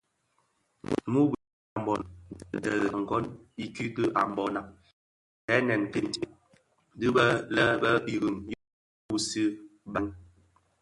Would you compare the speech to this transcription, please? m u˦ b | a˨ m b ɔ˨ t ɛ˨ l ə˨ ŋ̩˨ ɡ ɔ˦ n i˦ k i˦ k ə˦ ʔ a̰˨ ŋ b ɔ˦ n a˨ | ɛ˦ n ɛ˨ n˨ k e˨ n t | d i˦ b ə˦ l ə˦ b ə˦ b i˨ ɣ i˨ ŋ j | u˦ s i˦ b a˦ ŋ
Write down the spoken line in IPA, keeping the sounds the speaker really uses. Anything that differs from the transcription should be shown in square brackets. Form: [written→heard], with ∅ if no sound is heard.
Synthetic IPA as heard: m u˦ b | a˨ m b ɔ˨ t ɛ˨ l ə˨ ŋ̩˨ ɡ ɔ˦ n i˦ k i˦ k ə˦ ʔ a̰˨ [ŋ→m] b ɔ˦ n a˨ | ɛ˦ n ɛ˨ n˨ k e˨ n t | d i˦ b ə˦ l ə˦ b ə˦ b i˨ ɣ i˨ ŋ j | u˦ s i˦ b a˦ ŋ